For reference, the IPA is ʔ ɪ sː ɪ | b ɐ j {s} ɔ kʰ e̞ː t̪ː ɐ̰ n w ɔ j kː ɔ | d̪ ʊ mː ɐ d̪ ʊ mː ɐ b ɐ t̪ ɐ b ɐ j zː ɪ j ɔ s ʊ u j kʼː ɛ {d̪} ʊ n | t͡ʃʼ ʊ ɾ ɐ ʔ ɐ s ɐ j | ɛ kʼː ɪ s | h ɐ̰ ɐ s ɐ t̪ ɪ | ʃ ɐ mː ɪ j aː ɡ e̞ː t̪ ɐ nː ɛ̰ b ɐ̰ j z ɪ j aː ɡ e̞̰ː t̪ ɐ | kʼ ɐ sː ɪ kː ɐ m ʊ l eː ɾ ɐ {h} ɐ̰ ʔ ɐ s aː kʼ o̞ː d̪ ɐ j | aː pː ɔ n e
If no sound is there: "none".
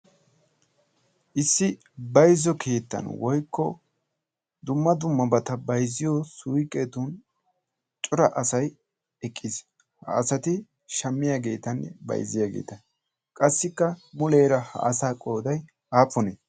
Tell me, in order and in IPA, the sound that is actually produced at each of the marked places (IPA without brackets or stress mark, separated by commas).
z, t̪, h